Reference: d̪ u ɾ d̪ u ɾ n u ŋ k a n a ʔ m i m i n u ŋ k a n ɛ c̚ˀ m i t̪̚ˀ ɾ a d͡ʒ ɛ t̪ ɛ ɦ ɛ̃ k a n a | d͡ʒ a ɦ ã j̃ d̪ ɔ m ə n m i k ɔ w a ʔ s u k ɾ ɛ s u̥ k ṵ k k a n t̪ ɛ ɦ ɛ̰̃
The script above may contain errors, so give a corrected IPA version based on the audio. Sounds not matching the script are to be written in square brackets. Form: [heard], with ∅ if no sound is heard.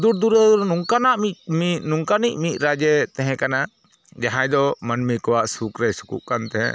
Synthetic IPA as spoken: d̪ u ɾ d̪ u ɾ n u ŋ k a n a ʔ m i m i n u ŋ k a n [i] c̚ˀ m i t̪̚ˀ ɾ a d͡ʒ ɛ t̪ ɛ ɦ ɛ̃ k a n a | d͡ʒ a ɦ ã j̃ d̪ ɔ m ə n m i k ɔ w a ʔ s u k ɾ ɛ s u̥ k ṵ [ʔ] k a n t̪ ɛ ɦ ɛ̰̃